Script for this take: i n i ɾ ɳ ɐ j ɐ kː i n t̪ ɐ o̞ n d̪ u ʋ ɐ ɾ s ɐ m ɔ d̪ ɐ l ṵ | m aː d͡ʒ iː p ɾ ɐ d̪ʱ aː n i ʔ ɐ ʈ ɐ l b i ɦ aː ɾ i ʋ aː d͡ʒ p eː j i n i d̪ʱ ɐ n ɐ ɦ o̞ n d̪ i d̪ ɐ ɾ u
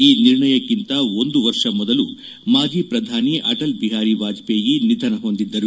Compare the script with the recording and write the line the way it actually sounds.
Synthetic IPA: iː n i ɾ ɳ ɐ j ɐ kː i n t̪ ɐ o̞ n d̪ u ʋ ɐ ɾ ʂ ɐ m ɔ d̪ ɐ l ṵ | m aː d͡ʒ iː p ɾ ɐ d̪ʱ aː n i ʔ ɐ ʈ ɐ l b i ɦ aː ɾ i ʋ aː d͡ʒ p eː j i n i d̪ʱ ɐ n ɐ ɦ o̞ n d̪ i d̪ː ɐ ɾ u